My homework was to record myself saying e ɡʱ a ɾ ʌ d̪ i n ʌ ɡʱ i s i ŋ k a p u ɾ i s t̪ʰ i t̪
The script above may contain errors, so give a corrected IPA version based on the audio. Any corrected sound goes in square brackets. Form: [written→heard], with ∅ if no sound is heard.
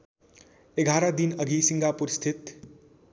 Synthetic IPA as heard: e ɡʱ a ɾ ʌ d̪ i n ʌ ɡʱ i s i ŋ [k→ɡ] a p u ɾ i s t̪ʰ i t̪